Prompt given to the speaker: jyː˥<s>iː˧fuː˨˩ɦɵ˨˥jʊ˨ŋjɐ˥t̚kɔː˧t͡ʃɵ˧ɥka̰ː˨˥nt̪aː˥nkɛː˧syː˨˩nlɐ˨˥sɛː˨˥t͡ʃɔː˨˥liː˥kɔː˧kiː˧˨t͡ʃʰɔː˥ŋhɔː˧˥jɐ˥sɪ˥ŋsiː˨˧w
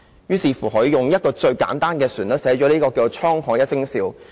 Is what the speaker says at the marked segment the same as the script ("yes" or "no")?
yes